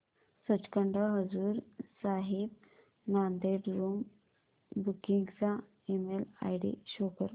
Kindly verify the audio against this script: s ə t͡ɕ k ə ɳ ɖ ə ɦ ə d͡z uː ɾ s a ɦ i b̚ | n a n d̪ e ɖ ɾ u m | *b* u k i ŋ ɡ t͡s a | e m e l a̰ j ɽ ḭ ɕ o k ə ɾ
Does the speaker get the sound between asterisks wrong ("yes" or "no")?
no